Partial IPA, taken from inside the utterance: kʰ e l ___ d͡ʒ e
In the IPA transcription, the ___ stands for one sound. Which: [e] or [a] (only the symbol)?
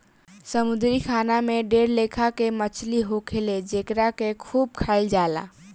e